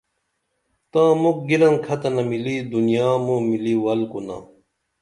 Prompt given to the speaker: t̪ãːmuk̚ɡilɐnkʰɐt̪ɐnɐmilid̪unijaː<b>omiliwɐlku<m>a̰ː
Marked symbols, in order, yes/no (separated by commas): no, no